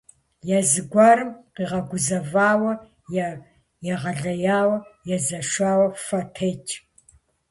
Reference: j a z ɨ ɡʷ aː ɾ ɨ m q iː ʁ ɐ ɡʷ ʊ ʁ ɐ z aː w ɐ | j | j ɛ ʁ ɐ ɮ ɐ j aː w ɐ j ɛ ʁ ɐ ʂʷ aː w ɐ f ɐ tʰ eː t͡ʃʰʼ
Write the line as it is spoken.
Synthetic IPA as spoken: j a z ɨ ɡʷ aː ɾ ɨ m q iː ʁ ɐ ɡʷ ʊ z ɐ v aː w ɐ | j | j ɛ ʁ ɐ ɮ ɐ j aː w ɐ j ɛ z ɐ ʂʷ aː w ɐ f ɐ tʰ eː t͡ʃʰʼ